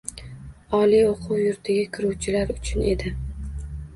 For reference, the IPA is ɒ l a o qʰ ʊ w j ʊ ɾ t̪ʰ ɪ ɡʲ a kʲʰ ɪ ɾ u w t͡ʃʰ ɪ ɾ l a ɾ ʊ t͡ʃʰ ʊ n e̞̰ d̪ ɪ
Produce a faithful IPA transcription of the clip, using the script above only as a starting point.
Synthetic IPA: ɒ l i o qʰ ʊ w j ʊ ɾ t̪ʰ ɪ ɡʲ a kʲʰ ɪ ɾ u w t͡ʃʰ ɪ l a ɾ ʊ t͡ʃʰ ʊ n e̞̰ d̪ ɪ